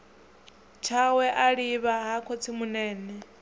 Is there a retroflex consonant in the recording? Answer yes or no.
no